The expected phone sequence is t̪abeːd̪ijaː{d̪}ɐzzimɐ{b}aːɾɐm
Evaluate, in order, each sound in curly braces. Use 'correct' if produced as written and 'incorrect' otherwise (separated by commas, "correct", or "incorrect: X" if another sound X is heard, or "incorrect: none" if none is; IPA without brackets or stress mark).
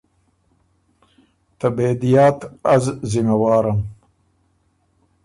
incorrect: t̪, incorrect: w